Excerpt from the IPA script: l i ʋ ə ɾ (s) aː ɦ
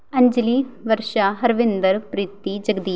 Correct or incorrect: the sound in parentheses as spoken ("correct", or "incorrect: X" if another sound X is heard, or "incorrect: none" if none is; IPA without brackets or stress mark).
incorrect: ʃ